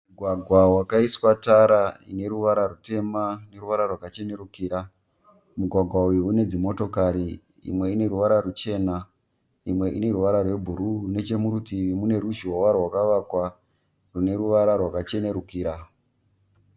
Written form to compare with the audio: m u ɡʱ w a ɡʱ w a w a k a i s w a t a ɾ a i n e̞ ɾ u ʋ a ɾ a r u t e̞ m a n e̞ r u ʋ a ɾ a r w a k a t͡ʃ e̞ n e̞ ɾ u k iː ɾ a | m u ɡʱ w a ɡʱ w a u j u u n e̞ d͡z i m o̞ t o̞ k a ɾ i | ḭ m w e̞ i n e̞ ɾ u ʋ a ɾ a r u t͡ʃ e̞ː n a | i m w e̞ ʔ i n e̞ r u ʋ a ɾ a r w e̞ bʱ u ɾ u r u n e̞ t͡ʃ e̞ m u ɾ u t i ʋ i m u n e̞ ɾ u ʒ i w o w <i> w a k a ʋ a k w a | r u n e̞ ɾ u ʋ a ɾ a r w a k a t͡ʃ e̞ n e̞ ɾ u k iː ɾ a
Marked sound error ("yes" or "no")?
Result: yes